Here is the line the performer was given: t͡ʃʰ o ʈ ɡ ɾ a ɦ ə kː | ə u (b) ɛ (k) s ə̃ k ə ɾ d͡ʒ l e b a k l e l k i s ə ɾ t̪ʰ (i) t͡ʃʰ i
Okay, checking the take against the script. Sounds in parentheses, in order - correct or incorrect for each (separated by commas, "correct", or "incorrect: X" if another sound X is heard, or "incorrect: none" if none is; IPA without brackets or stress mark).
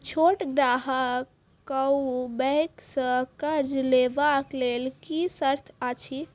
correct, correct, incorrect: a